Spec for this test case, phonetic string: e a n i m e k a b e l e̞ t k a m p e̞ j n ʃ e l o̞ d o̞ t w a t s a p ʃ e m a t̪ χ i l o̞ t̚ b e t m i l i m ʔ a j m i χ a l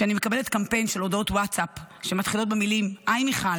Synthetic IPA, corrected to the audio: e a n i m e k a b e l e̞ t k a m p e̞ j n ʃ e l o̞ d o̞ t w a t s a p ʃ e m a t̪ χ i l o̞ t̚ b e m i l i m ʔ a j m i χ a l